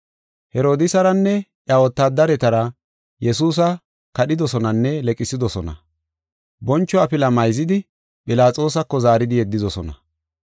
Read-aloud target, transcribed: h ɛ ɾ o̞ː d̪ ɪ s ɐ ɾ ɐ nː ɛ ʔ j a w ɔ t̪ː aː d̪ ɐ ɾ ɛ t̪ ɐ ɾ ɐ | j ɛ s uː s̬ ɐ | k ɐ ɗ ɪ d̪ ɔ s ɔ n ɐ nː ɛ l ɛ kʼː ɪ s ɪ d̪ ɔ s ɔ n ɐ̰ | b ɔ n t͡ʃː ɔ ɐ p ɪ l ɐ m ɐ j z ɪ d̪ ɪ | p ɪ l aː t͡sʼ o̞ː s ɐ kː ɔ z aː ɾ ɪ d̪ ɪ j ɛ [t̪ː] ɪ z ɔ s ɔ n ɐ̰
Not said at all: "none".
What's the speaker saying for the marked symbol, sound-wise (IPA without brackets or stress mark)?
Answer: d̪ː